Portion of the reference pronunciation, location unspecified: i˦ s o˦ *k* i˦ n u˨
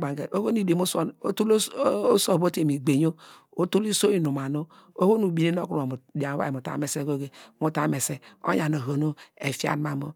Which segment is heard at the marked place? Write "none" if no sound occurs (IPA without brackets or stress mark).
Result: none